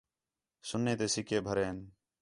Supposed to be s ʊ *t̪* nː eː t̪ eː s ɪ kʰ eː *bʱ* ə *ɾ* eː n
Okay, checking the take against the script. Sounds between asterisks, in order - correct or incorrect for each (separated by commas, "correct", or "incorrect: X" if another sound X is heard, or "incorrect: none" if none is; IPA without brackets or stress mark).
incorrect: none, correct, correct